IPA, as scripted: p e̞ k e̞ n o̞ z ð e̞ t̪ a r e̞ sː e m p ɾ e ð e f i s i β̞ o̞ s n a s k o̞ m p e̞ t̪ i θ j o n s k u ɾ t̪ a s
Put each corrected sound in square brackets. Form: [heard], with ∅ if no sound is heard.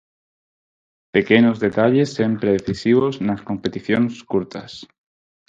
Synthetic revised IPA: p e̞ k e̞ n o̞ z ð e̞ t̪ a [ʎ] e̞ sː e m p ɾ e ð e [θ] i s i β̞ o̞ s n a s k o̞ m p e̞ t̪ i θ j o n s k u ɾ t̪ a s